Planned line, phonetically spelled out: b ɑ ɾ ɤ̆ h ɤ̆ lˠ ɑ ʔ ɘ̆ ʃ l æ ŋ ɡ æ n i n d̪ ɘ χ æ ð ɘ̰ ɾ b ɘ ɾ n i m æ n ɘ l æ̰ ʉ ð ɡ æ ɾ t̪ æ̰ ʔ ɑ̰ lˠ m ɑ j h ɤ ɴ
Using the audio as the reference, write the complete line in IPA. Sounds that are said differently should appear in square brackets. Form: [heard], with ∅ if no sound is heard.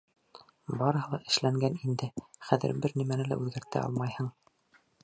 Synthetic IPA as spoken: b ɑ ɾ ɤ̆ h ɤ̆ lˠ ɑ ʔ ɘ̆ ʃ l æ ŋ ɡ æ n i n d̪ ɘ χ æ ð ɘ̰ ɾ b ɘ ɾ n i m æ n ɘ l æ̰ ʉ ð ɡ æ ɾ t̪ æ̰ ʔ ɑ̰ lˠ m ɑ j h ɤ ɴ